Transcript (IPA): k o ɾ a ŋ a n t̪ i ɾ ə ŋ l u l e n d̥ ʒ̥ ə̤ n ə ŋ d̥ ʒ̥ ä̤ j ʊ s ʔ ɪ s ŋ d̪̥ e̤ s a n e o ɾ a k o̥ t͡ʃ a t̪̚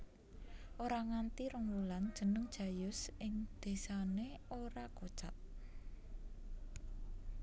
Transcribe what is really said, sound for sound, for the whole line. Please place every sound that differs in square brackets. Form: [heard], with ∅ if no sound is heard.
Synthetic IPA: [ʔ] o ɾ a ŋ a n t̪ i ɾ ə ŋ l u l [a] n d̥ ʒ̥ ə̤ n ə ŋ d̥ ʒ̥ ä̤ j ʊ s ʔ ɪ [∅] ŋ d̪̥ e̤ s a n e o ɾ a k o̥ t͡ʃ a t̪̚